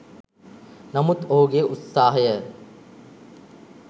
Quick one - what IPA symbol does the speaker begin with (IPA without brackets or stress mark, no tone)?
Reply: n